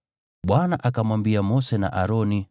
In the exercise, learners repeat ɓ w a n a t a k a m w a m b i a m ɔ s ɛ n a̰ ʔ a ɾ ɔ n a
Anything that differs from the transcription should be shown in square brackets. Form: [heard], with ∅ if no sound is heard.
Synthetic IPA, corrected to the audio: ɓ w a n a [ʔ] a k a m w a m b i a m ɔ s ɛ n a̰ ʔ a ɾ ɔ n [i]